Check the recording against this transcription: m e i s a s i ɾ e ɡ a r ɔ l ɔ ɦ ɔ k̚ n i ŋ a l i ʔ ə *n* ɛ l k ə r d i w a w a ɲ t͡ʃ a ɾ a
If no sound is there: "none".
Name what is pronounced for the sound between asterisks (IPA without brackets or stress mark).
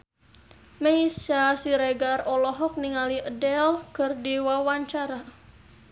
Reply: d